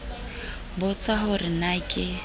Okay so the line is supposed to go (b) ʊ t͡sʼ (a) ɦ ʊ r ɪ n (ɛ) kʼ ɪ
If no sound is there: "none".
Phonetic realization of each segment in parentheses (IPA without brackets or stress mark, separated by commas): b, a, a